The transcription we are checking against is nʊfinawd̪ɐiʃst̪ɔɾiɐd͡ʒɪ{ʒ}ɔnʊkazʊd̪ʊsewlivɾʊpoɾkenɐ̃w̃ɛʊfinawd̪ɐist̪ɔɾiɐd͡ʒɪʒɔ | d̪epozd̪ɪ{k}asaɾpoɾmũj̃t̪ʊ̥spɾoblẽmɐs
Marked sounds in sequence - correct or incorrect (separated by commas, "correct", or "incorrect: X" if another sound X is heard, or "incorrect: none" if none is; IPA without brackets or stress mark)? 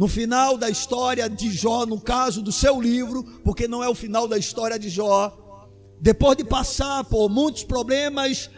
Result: correct, incorrect: p